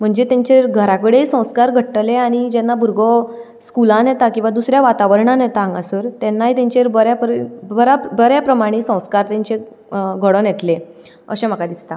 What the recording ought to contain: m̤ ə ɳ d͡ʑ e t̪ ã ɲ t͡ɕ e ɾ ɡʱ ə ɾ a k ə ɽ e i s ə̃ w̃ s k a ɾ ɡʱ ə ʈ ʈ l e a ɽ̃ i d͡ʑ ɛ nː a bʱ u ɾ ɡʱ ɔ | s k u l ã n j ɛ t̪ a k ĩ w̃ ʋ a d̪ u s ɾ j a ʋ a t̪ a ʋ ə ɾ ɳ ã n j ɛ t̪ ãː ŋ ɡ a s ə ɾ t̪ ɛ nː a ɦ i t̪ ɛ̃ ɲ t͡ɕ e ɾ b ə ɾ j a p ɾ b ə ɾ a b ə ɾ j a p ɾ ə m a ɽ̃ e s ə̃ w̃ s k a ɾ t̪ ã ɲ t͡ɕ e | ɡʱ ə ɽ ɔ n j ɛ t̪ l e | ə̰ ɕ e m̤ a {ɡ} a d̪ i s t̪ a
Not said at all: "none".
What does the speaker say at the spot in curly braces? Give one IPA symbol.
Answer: k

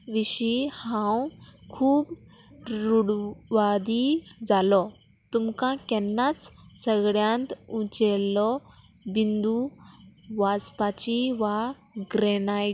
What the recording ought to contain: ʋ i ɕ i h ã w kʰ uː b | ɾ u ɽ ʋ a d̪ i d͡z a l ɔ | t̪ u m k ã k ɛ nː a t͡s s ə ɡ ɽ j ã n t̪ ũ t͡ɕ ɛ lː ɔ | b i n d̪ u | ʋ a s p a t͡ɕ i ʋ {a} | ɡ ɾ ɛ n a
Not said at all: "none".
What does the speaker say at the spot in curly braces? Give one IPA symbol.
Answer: a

